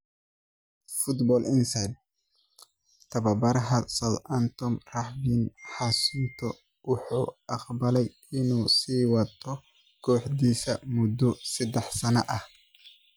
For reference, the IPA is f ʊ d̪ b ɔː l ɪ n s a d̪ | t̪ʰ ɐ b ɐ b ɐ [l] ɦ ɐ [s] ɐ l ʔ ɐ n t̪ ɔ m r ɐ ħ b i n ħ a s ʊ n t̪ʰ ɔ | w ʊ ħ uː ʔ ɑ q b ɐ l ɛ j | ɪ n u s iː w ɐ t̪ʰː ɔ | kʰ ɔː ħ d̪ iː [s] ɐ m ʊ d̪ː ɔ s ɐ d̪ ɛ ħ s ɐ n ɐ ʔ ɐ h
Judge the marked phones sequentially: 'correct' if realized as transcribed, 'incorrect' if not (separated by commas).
incorrect, correct, correct